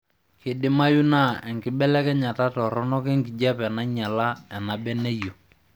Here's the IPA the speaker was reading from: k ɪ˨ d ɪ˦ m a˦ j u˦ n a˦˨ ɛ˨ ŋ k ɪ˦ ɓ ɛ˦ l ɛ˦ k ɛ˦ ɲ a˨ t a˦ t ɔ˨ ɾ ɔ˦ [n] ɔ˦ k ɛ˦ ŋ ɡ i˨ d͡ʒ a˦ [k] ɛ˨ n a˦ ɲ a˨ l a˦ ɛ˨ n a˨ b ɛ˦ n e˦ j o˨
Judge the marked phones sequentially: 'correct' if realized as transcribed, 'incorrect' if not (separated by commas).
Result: correct, incorrect